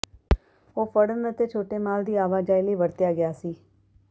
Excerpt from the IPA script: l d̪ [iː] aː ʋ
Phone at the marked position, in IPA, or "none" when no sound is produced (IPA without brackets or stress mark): iː